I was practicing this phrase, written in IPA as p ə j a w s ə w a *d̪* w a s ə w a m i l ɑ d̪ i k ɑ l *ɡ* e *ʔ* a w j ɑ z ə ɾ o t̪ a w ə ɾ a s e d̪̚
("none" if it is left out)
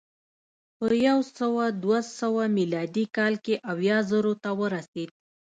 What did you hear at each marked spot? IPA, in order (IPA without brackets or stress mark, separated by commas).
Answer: d̪, k, ʔ